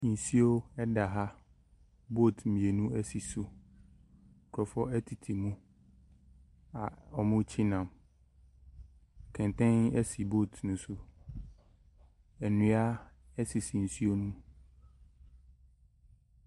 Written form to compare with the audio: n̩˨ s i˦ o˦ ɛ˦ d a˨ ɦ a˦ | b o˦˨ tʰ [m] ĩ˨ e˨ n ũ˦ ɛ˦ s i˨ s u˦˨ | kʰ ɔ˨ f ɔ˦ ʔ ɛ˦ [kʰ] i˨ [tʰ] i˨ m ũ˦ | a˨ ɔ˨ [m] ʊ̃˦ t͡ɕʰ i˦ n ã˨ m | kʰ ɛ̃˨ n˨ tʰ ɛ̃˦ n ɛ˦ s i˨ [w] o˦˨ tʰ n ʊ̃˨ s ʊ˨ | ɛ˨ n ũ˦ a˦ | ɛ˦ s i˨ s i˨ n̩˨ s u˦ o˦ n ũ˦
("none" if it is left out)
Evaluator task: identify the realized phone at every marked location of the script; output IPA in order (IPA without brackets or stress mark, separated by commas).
m, tʰ, tʰ, m, b